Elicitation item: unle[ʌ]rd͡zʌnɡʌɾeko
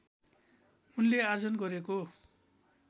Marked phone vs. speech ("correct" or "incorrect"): incorrect